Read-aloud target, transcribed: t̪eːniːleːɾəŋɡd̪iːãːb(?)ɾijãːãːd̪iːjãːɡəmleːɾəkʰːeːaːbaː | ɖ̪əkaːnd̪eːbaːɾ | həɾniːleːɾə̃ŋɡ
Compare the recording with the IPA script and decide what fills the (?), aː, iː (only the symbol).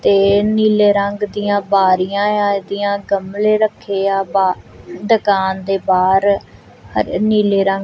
aː